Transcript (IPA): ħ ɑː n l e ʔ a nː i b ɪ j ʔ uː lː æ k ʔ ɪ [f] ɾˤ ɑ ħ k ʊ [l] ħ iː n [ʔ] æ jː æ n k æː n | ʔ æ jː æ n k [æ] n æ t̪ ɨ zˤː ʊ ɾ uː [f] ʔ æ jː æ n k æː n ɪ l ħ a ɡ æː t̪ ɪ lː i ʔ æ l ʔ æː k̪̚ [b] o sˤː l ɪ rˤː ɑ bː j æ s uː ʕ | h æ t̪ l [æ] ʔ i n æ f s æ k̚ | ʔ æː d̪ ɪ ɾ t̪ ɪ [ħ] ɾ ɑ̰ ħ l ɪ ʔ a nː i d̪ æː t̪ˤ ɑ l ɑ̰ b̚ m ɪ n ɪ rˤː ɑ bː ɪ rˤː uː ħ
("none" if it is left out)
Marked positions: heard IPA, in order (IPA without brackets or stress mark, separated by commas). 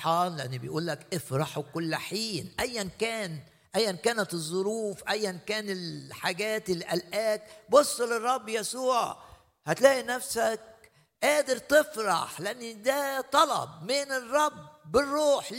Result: f, lː, ʔ, æː, f, b, æː, f